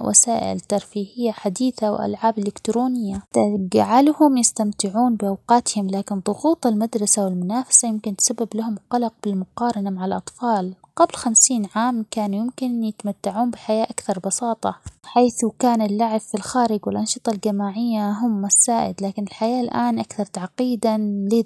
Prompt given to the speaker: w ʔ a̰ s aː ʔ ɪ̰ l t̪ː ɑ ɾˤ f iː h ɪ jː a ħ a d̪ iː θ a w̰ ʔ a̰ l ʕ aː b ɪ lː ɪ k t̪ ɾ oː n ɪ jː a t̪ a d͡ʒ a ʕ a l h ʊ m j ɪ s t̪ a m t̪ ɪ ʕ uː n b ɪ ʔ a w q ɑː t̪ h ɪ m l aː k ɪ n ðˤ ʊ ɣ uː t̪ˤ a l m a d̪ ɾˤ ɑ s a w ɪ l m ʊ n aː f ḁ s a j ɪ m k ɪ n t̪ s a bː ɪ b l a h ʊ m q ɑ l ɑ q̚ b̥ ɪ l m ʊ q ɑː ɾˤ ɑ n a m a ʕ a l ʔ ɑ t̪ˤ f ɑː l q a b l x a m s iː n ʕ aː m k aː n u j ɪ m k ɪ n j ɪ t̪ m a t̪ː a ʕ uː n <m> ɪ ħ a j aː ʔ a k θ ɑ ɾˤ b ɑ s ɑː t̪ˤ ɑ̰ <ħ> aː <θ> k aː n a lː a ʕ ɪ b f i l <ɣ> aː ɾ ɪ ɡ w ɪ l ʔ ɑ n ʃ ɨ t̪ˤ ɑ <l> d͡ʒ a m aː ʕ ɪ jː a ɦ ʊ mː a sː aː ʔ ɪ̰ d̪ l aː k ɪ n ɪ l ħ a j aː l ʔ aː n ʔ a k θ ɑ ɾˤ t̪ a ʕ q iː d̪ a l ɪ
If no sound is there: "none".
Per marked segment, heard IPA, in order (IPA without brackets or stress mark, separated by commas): b, ħ, θ, x, l